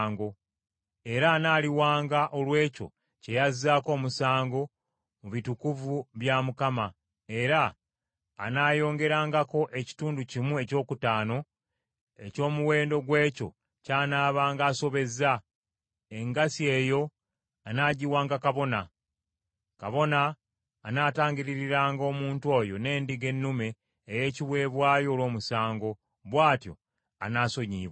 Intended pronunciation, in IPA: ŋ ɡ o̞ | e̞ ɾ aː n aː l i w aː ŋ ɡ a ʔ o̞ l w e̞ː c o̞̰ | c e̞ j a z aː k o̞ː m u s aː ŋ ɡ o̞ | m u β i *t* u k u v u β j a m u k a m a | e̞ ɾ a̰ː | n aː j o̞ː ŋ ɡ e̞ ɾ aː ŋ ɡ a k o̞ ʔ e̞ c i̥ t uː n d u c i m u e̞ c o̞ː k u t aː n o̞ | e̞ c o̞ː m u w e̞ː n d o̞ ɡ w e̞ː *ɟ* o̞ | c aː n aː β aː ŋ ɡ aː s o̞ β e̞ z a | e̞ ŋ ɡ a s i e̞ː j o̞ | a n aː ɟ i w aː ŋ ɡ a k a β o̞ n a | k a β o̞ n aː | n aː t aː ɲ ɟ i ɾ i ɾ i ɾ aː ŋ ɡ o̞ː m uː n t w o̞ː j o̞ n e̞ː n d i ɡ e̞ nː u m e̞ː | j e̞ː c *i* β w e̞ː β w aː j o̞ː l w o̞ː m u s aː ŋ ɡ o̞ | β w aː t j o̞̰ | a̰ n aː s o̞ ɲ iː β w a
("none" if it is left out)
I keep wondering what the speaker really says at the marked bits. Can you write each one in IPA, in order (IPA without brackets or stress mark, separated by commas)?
t, c, i